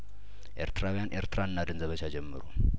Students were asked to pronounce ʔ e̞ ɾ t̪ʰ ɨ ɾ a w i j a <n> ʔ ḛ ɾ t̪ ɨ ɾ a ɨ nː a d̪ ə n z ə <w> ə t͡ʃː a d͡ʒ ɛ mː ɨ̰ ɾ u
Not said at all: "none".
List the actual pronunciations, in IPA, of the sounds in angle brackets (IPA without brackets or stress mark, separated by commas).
n, β